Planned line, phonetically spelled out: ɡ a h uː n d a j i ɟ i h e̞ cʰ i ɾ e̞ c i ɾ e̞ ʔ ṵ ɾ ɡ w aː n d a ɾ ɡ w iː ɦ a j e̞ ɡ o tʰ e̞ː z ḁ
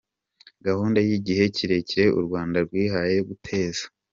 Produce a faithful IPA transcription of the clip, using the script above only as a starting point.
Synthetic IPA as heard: ɡ a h uː n d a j i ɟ i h e̞ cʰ i ɾ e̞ c i ɾ e̞ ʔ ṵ ɾ ɡ w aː n d a ɾ ɡ w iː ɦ a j e̞ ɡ u tʰ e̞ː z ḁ